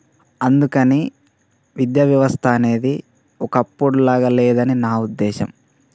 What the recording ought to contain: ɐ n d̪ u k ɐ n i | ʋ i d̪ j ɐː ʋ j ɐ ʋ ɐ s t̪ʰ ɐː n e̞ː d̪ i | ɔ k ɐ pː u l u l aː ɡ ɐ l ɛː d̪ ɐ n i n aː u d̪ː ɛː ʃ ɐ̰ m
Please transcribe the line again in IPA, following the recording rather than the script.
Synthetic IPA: ɐ n d̪ u k ɐ n i | ʋ i d̪ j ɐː ʋ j ɐ ʋ ɐ s t̪ʰ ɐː n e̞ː d̪ i | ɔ k ɐ pː u ɽ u l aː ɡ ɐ l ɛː d̪ ɐ n i n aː u d̪ː ɛː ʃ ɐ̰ m